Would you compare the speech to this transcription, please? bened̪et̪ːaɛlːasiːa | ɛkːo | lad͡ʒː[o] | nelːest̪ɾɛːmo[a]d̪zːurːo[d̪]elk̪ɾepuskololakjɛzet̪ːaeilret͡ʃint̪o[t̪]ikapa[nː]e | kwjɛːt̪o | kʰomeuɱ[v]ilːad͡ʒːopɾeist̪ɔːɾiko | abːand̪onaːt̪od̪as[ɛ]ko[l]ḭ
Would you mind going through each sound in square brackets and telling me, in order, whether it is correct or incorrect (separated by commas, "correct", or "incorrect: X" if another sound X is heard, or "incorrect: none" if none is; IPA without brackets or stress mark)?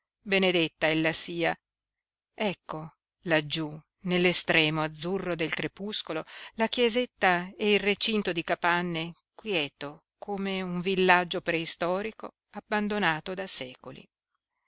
incorrect: u, correct, correct, incorrect: d̪, correct, correct, incorrect: ɛː, correct